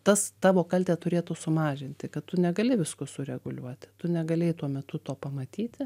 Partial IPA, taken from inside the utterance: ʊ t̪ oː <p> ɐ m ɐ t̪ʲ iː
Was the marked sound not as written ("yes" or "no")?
no